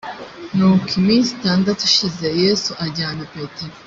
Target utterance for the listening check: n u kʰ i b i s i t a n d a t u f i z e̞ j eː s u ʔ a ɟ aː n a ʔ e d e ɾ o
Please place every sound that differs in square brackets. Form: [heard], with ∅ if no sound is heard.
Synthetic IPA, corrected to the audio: n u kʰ i [m] i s i t a n d a t u [ʃ] i z e̞ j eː s u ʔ a ɟ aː n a [p] e [t] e ɾ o